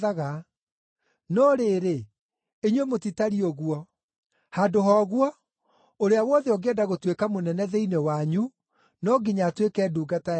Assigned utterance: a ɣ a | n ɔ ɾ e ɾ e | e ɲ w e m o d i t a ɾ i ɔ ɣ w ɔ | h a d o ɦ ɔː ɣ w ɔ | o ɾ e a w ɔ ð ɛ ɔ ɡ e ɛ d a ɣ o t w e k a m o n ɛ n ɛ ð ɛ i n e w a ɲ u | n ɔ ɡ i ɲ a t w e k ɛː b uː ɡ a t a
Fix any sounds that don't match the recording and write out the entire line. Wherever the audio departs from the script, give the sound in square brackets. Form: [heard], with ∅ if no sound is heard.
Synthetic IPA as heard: a ɣ a | n ɔ ɾ e ɾ e | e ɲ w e m o [t] i t a ɾ i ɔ ɣ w ɔ | h a d o ɦ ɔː ɣ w ɔ | o ɾ e a w ɔ ð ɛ ɔ ɡ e ɛ d a ɣ o t w e k a m o n ɛ n ɛ ð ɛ i n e w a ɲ u | n ɔ ɡ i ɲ a t w e k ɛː [d] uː ɡ a t a